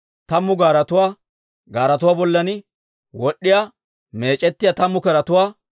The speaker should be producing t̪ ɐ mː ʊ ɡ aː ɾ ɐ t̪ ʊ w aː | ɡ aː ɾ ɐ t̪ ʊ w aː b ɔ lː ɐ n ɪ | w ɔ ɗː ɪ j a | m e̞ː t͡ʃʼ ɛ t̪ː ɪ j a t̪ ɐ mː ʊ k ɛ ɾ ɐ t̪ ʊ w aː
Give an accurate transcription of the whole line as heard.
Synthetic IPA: t̪ ɐ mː ʊ ɡ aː ɾ ɐ t̪ ʊ w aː | ɡ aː ɾ ɐ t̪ ʊ w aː b ɔ lː ɐ n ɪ | w ɔ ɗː ɪ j a | m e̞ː t͡ʃʼ ɛ t̪ː ɪ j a t̪ ɐ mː ʊ k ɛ ɾ ɐ t̪ ʊ w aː